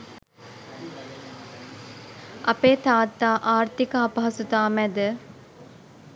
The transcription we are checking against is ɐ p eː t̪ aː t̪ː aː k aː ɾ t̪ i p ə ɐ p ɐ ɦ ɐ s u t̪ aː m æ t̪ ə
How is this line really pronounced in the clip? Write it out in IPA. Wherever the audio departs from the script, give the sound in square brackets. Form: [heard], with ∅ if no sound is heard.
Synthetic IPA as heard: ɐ p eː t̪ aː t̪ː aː [ʔ] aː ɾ t̪ i [k] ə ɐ p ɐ ɦ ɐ s u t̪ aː m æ [d̪] ə

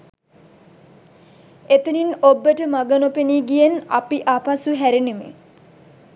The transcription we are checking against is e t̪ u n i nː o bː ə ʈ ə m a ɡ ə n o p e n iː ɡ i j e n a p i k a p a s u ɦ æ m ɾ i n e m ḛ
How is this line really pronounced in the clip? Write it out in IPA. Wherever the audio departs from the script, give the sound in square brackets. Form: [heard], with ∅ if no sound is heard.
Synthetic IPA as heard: e t̪ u n i [n] o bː ə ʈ ə m a ɡ ə n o p e n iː ɡ i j e n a p i [ʔ] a p a s u ɦ æ [∅] ɾ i n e m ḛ

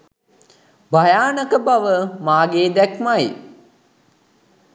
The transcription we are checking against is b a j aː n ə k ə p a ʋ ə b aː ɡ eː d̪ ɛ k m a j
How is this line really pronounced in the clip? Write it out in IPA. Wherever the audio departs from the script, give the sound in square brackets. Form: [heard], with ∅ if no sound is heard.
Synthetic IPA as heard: b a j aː n ə k ə [b] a ʋ ə [m] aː ɡ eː d̪ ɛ k m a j

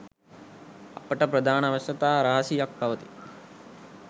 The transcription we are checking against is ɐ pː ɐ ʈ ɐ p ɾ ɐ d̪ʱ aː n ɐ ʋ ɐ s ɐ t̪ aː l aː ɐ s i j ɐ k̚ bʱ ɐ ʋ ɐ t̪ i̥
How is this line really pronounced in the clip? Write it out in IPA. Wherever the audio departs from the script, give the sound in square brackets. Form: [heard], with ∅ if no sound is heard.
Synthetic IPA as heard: ɐ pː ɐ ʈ ɐ p ɾ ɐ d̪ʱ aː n ɐ ʋ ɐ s ɐ t̪ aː [ɾ] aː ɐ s i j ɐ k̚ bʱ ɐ ʋ ɐ t̪ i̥

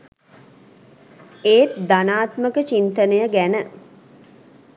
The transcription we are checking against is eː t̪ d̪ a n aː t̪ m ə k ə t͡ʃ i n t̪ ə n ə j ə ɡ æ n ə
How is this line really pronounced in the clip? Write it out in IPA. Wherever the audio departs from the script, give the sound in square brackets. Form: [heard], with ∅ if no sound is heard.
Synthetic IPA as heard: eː t̪ d̪ a n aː t̪ m ə k ə t͡ʃ i n t̪ ə n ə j ə ɡ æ n ə

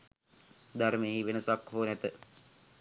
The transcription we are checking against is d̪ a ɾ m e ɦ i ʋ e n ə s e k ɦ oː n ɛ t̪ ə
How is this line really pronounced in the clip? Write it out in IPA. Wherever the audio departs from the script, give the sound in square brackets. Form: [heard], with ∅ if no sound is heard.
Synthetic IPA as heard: d̪ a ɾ m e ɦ i ʋ e n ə s [a] k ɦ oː n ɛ t̪ ə

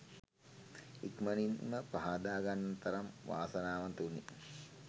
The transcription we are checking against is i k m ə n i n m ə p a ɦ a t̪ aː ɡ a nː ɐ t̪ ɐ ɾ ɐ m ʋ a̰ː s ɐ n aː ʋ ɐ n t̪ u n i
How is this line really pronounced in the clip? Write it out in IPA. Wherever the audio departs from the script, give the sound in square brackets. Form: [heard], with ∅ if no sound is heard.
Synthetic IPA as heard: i k m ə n i n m ə p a ɦ a [d̪] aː ɡ a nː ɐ t̪ ɐ ɾ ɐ m ʋ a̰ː s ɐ n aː ʋ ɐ n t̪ u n i

